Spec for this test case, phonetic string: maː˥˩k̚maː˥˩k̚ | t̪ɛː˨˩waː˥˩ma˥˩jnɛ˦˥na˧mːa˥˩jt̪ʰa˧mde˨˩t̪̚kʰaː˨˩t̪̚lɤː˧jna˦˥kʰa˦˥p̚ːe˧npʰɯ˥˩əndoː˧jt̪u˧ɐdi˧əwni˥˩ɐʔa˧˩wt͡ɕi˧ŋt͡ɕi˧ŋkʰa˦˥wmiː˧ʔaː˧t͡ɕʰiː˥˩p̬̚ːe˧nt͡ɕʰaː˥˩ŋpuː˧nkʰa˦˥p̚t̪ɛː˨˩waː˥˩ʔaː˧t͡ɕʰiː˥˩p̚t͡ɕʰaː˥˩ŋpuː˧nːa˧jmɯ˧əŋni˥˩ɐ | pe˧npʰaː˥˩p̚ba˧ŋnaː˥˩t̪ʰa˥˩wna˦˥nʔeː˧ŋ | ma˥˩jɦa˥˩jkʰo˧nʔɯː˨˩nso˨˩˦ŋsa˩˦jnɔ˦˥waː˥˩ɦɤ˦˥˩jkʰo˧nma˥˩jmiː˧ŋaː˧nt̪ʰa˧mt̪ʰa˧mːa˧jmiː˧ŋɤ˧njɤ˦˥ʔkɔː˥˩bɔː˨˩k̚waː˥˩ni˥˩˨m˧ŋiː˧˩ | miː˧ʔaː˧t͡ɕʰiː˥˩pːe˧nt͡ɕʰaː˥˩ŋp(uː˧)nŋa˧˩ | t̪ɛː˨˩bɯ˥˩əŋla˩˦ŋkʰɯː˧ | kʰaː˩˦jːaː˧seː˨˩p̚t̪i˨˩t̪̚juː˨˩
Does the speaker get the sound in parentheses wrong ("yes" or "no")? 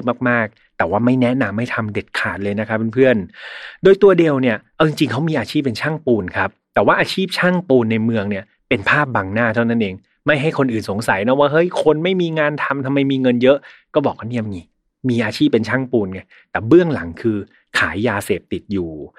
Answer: no